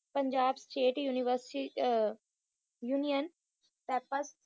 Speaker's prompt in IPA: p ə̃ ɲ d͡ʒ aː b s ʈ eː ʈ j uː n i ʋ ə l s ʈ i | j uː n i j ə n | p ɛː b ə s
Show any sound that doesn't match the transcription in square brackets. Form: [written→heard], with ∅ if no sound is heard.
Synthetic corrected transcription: p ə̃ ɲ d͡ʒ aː b s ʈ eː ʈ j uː n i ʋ ə [l→ɾ] s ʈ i | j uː n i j ə n | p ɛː [b→p] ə s